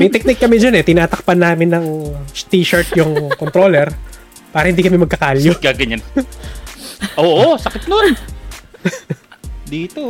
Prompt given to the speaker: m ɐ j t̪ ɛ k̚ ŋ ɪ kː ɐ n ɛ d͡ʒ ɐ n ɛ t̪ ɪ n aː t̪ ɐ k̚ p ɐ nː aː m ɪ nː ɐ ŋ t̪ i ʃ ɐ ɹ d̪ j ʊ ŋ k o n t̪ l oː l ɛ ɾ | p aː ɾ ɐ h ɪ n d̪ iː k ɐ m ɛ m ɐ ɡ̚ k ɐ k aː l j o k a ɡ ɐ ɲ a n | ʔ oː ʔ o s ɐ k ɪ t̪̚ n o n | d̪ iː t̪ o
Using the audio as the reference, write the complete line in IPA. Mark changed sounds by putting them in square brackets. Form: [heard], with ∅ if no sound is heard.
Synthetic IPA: m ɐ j t̪ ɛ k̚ [n] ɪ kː ɐ [m] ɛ d͡ʒ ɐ n ɛ t̪ ɪ n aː t̪ ɐ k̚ p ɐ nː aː m ɪ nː ɐ ŋ t̪ i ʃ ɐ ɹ [t̪] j ʊ ŋ k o n t̪ [ɾ] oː l ɛ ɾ | p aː ɾ ɐ h ɪ n d̪ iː k ɐ m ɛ m ɐ ɡ̚ k ɐ k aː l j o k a ɡ ɐ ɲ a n | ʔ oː ʔ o s ɐ k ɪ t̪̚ n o n | d̪ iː t̪ o